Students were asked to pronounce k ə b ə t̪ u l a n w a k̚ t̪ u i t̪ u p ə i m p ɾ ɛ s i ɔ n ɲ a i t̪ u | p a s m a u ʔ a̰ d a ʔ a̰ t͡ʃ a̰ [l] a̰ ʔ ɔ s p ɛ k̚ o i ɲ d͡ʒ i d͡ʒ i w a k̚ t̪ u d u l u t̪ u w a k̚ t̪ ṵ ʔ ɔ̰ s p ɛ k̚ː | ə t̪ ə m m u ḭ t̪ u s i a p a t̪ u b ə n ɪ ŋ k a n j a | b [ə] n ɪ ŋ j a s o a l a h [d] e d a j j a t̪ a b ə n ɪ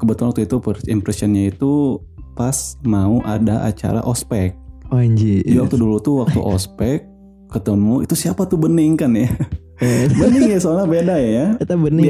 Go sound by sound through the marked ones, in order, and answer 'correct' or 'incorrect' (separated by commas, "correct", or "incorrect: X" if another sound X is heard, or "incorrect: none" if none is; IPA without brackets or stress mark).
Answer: incorrect: ɾ, correct, incorrect: b